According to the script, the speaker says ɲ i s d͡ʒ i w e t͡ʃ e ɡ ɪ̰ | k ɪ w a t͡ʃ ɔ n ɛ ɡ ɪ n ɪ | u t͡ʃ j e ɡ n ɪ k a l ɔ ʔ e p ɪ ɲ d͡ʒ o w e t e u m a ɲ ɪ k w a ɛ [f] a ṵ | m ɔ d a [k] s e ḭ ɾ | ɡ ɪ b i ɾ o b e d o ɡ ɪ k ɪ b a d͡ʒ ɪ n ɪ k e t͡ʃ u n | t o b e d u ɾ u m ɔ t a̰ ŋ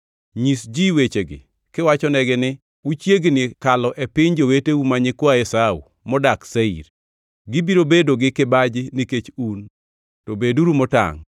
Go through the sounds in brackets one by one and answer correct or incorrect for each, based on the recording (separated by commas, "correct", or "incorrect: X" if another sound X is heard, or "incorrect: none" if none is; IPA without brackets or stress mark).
incorrect: s, correct